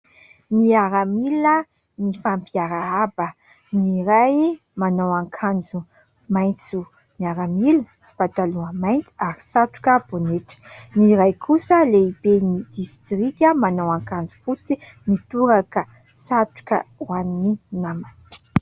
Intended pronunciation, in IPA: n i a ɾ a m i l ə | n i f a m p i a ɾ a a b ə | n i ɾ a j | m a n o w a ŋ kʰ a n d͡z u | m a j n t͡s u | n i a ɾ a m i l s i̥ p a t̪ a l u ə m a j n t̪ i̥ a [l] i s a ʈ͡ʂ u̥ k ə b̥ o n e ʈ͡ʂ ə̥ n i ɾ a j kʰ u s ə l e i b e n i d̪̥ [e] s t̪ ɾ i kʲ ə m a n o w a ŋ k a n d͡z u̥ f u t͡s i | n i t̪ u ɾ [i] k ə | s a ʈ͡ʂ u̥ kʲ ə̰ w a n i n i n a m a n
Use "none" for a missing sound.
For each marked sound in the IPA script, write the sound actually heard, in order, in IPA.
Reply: ɾ, i, a

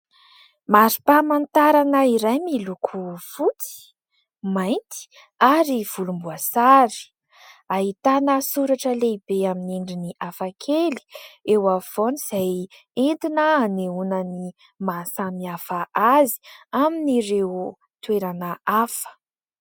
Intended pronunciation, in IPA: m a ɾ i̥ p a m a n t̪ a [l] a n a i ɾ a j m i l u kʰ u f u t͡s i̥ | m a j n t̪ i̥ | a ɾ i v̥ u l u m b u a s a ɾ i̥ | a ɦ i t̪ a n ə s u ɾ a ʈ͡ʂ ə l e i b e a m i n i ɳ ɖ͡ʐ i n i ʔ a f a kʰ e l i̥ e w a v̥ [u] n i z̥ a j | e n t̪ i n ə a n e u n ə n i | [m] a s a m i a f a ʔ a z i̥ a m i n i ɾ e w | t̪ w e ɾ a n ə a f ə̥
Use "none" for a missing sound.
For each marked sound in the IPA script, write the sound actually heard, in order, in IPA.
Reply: ɾ, o, m

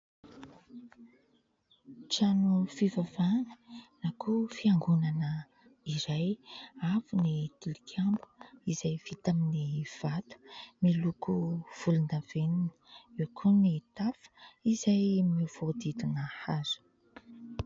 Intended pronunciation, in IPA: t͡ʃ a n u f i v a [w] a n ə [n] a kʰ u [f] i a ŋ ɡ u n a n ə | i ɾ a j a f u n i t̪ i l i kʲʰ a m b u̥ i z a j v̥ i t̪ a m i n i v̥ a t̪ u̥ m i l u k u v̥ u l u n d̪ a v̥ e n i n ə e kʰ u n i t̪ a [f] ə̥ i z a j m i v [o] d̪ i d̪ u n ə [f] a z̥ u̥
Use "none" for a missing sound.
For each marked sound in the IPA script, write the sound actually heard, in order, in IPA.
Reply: v, n, f, f, o, h

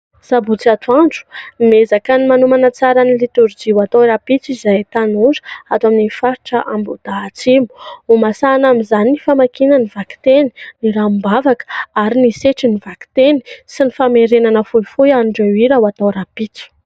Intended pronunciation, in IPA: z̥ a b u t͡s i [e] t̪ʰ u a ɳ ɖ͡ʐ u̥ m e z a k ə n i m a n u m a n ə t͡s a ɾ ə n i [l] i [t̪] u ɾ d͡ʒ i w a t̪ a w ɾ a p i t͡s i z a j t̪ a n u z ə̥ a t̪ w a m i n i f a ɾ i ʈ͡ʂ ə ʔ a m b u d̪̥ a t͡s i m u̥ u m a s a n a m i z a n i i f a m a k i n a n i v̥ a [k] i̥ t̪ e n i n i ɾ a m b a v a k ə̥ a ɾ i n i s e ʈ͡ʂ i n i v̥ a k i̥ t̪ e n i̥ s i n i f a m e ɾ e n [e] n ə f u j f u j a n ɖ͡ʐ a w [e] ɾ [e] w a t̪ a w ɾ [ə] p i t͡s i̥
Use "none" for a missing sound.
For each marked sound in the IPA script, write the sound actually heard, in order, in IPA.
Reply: a, l, t̪, k, a, i, a, a

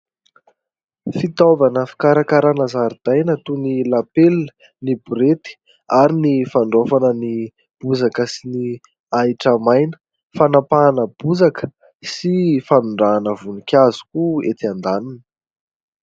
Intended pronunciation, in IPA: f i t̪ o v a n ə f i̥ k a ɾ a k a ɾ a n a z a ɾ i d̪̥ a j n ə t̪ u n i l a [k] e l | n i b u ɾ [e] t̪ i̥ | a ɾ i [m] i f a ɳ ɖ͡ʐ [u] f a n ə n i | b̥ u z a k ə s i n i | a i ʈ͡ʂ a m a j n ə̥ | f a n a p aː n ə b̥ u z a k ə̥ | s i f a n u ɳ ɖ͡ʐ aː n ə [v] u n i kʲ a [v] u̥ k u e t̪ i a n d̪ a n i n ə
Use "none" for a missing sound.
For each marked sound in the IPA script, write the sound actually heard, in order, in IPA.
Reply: p, e, n, o, v, z

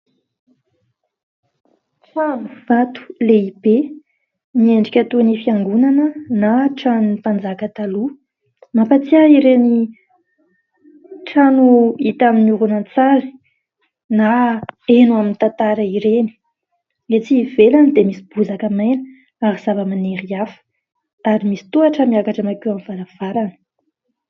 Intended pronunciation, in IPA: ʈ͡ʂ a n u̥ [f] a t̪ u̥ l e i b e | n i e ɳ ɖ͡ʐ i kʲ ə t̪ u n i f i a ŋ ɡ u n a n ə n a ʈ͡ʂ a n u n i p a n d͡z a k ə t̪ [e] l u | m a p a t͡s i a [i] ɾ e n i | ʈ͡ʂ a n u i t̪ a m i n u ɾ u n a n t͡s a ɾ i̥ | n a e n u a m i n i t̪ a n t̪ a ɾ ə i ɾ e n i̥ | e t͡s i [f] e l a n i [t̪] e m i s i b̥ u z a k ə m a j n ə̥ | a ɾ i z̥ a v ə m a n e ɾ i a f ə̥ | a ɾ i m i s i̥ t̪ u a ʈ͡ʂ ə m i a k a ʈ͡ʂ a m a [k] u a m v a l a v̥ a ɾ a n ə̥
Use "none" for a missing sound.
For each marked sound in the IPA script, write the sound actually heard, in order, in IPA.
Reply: v, a, i, v, d̪, k

